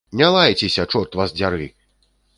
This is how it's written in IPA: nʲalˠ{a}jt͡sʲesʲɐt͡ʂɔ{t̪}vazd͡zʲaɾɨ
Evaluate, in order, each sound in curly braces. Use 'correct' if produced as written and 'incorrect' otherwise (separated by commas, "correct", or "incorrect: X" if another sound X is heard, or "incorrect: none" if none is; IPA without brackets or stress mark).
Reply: correct, correct